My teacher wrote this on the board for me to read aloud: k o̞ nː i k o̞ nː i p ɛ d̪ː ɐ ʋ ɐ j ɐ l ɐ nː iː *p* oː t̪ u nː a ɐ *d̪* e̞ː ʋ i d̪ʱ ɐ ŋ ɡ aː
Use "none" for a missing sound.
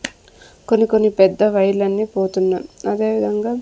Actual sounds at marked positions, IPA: p, d̪

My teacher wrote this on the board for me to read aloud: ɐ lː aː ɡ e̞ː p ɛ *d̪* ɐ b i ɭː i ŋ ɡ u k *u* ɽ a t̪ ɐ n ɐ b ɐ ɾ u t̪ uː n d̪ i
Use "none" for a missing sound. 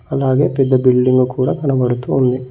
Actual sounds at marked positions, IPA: d̪ː, uː

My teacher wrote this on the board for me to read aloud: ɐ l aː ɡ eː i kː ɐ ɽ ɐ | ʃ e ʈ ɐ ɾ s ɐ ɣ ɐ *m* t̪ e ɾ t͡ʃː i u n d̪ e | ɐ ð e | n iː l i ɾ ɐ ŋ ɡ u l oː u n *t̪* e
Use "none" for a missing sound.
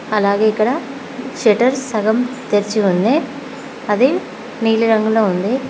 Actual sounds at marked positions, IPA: m, d̪

